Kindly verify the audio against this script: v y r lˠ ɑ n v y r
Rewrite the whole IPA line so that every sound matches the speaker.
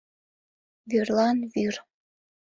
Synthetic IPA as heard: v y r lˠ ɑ n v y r

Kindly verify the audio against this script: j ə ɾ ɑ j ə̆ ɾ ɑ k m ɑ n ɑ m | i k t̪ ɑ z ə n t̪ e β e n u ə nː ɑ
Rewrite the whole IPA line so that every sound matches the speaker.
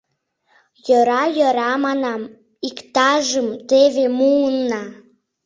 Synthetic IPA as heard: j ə ɾ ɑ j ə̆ ɾ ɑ m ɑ n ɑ m | i k t̪ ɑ ʒ ə m t̪ e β e m u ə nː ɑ

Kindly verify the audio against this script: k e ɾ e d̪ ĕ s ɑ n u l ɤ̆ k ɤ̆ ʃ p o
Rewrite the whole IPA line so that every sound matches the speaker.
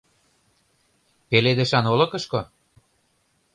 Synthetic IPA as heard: p e l e d̪ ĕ ʃ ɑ n o l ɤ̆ k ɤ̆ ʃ k o

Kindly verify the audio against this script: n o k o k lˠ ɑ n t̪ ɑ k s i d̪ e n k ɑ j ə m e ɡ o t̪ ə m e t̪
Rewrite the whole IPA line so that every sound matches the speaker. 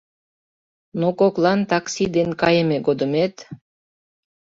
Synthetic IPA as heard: n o k o k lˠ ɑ n t̪ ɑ k s i d̪ e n k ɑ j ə m e ɡ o d̪ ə m e t̪

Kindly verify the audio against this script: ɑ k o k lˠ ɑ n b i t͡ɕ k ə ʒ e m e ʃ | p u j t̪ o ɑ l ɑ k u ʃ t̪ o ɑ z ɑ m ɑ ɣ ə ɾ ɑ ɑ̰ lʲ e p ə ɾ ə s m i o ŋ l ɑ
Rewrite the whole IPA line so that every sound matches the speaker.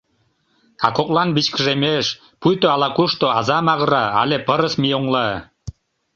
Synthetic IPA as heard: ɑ k o k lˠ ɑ n b i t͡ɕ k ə ʒ e m e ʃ | p u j t̪ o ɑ l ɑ k u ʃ t̪ o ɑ z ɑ m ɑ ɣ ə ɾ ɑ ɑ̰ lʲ e p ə ɾ ə s m i o ŋ l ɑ

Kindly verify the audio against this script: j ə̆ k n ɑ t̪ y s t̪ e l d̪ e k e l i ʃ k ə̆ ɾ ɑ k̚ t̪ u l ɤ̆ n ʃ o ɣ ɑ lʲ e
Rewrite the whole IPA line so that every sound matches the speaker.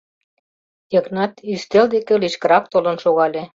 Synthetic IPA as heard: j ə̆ k n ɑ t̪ y s t̪ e l d̪ e k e l i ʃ k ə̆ ɾ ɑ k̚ t̪ o l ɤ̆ n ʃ o ɣ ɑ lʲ e

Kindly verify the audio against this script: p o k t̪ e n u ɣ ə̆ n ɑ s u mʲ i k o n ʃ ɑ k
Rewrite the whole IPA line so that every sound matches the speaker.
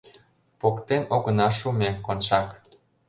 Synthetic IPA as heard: p o k t̪ e n o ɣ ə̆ n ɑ ʃ u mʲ e k o n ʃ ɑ k

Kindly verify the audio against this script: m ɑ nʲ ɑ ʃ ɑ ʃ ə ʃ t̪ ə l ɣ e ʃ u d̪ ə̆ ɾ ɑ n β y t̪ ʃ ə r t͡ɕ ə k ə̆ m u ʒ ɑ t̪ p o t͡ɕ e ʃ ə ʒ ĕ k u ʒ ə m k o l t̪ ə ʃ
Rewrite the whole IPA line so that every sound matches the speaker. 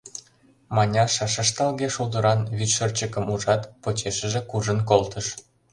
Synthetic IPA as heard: m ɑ nʲ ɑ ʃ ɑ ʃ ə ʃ t̪ ɑ l ɣ e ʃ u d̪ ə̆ ɾ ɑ n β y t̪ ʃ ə r t͡ɕ ə k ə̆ m u ʒ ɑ t̪ p o t͡ɕ e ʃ ə ʒ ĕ k u ʒ ə n k o l t̪ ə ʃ

